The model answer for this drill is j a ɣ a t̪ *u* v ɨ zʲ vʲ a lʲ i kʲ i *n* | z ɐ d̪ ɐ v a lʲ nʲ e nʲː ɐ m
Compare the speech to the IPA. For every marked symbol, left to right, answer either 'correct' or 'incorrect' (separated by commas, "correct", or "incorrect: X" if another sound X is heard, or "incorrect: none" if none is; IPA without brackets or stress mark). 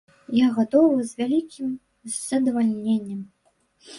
incorrect: ɔ, incorrect: m